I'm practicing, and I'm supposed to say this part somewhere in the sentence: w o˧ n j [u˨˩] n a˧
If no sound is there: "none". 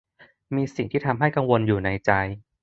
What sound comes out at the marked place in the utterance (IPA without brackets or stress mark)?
uː˨˩